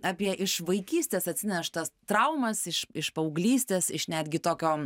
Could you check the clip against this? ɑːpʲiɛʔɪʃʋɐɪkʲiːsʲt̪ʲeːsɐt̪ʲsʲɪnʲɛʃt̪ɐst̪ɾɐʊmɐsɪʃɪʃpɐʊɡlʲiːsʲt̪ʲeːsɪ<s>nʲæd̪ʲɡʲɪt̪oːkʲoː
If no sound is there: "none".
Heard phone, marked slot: ʃ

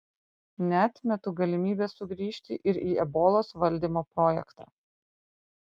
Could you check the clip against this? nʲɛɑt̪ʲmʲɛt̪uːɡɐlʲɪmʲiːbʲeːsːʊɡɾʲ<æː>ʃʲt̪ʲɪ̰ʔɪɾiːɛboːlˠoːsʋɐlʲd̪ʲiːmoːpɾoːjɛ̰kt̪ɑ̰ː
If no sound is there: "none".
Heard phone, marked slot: iː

